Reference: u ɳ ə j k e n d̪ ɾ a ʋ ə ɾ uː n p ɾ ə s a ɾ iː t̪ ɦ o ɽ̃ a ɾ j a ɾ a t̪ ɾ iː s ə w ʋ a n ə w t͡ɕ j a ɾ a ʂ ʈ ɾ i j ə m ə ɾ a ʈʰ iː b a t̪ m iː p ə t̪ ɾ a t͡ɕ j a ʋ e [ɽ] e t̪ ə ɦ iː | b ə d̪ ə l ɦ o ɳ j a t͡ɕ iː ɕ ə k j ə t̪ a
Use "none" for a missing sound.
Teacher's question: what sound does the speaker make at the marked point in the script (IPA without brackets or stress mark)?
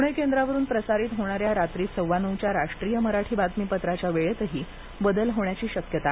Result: ɭ